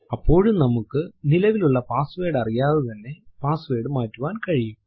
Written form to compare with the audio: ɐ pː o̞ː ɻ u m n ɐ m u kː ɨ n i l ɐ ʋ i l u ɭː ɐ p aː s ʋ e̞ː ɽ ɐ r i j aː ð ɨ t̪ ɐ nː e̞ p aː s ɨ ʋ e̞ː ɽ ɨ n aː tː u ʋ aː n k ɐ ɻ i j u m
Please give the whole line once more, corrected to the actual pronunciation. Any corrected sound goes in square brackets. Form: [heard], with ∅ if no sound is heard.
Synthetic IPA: ɐ pː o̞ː ɻ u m n ɐ m u kː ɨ n i l ɐ ʋ i l u ɭː ɐ p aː s ʋ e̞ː ɽ ɐ r i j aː ð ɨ t̪ ɐ nː e̞ p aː s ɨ ʋ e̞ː ɽ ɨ [m] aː tː u ʋ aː n k ɐ ɻ i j u m